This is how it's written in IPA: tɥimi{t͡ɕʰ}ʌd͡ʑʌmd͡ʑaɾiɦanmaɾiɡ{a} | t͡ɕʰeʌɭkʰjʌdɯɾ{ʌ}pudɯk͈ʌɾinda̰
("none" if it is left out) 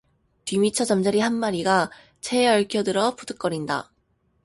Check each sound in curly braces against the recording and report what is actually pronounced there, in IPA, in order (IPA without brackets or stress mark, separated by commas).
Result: t͡ɕʰ, a, ʌ